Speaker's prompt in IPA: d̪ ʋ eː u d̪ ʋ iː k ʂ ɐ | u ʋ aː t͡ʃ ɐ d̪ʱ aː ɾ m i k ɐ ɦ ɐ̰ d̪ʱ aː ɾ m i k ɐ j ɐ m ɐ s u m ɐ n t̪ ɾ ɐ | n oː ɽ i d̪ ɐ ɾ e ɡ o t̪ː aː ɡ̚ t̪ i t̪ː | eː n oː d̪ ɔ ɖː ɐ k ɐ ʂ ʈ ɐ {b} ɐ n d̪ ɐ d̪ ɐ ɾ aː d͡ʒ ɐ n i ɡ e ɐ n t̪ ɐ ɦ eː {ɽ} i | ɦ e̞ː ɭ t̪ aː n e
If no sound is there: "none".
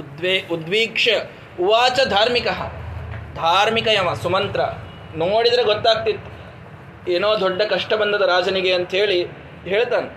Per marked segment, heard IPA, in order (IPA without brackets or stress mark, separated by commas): b, ɭ